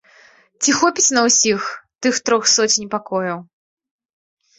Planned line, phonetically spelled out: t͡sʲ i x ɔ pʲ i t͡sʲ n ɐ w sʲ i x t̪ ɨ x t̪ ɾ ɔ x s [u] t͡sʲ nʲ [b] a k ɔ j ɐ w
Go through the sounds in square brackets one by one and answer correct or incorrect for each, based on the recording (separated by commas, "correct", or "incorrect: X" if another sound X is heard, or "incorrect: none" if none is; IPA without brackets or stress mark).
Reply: incorrect: ɔ, incorrect: p